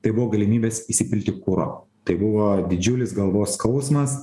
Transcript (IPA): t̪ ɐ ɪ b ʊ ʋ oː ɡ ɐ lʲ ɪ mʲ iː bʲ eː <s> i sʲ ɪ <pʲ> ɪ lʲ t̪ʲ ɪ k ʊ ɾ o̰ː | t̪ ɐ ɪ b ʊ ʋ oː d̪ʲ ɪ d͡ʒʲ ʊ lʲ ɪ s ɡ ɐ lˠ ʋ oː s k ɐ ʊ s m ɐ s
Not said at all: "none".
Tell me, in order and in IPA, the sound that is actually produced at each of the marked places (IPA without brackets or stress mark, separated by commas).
s, pʲ